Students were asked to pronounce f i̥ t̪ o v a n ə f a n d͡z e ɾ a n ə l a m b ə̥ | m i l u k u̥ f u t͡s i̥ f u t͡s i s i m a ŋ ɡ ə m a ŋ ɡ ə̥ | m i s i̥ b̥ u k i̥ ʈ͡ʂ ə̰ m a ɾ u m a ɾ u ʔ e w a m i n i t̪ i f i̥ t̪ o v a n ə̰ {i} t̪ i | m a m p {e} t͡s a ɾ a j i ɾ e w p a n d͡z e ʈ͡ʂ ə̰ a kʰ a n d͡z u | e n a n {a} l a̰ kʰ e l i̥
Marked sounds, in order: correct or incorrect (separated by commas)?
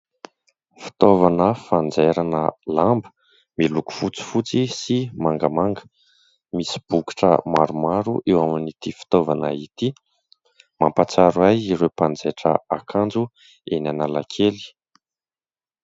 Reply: correct, incorrect, correct